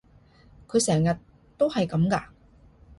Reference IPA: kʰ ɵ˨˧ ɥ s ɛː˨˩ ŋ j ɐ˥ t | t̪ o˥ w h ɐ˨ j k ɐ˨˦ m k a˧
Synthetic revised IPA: kʰ ɵ˨˧ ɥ s ɛː˨˩ ŋ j ɐ˨ t | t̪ o˥ w h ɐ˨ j k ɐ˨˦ m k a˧